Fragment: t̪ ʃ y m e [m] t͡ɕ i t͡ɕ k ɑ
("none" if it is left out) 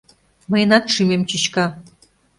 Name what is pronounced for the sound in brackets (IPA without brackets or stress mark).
m